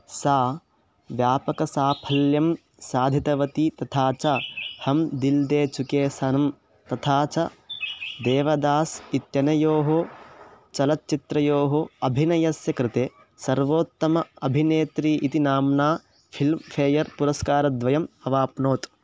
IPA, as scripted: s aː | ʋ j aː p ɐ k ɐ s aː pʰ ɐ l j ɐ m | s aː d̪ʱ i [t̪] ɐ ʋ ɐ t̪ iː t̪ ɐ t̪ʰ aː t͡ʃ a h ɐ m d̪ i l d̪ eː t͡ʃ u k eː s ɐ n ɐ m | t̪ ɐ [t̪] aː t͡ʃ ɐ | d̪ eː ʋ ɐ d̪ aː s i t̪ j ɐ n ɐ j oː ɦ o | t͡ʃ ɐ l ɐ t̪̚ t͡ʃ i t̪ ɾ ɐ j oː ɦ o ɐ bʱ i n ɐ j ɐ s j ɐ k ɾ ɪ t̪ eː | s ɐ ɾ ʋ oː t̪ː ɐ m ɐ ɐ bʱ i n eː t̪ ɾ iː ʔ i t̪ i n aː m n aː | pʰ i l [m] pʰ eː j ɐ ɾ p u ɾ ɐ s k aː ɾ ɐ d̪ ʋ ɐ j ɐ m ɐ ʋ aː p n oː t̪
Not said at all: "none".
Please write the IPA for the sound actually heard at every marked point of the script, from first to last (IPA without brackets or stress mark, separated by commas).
t̪, t̪ʰ, m